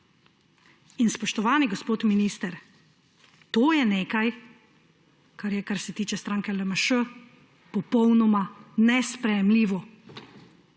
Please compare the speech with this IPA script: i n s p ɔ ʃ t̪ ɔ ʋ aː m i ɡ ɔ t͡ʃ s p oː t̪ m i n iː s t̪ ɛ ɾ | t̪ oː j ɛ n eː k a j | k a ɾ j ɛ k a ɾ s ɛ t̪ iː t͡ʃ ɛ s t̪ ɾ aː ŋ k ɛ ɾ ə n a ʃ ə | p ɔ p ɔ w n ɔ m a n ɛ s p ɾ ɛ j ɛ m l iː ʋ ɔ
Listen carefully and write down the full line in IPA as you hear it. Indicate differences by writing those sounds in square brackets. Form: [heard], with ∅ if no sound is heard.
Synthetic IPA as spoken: i n s p ɔ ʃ t̪ ɔ ʋ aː [n] i ɡ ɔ [∅] s p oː t̪ m i n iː s t̪ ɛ ɾ | t̪ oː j ɛ n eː k a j | k a ɾ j ɛ k a ɾ s ɛ t̪ iː t͡ʃ ɛ s t̪ ɾ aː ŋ k ɛ [l] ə [m] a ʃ ə | p ɔ p ɔ w n ɔ m a n ɛ s p ɾ ɛ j ɛ m l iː ʋ ɔ